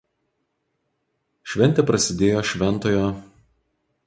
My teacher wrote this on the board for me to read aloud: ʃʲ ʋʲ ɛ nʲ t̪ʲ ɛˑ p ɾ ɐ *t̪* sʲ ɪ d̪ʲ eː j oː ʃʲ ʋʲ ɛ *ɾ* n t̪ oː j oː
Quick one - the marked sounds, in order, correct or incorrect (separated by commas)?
incorrect, incorrect